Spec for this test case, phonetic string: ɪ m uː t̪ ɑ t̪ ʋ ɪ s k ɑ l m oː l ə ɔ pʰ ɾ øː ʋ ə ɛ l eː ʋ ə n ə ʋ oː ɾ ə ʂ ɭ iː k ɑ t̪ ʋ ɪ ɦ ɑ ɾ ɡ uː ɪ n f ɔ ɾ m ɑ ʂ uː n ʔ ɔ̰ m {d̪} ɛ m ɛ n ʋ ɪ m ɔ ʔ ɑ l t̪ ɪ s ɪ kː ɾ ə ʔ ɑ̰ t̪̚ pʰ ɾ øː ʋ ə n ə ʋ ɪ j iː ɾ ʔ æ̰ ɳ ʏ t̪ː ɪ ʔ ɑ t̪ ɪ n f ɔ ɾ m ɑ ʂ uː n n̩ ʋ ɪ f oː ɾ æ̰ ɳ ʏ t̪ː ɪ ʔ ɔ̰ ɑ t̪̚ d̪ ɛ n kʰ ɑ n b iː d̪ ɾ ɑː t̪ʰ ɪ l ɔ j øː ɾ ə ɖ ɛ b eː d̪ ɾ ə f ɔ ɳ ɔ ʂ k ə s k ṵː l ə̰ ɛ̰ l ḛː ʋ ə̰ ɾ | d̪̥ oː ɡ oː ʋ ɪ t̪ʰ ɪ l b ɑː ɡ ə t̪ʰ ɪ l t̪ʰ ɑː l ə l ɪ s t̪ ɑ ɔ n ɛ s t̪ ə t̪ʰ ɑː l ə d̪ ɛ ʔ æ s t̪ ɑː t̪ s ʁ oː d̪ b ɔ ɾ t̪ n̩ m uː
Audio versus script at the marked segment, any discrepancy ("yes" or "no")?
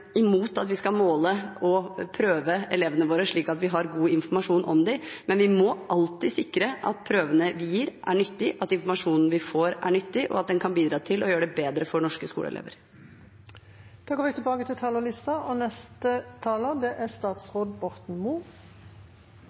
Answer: no